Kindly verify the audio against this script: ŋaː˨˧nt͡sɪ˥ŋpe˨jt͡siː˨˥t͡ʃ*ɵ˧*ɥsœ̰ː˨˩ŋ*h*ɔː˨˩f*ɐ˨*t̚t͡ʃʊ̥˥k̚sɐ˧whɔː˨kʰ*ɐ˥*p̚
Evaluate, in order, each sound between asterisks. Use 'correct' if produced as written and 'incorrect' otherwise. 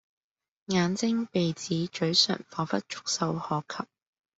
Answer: incorrect: ɵ˨˥, incorrect: f, incorrect: ɐ˥, incorrect: ɐ˨

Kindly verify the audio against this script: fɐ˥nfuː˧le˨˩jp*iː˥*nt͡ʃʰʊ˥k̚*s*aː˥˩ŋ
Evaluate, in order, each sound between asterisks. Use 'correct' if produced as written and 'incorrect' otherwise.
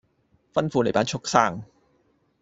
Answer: incorrect: aː˥, correct

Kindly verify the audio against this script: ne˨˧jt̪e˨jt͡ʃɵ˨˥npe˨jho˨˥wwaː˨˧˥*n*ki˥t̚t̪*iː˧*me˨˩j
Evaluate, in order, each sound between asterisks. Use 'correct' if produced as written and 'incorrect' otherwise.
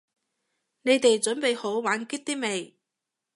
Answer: correct, incorrect: iː˥

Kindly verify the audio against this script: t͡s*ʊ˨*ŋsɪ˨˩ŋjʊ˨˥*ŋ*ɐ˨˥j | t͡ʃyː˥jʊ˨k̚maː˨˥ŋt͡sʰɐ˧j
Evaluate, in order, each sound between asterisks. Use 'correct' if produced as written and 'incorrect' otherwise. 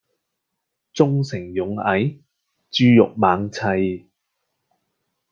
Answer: incorrect: ʊ˥, correct

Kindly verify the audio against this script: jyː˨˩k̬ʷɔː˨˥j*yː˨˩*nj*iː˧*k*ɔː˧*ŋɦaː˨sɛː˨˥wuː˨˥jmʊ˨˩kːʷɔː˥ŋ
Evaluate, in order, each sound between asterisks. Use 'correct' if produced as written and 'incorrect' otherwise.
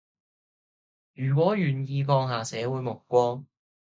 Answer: correct, correct, correct

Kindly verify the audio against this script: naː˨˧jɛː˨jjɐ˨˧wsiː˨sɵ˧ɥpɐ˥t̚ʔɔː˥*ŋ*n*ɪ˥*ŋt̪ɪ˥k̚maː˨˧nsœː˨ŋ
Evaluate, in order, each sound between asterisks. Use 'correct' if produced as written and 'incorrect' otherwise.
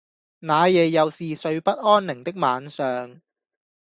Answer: incorrect: n, incorrect: ɪ˨˩

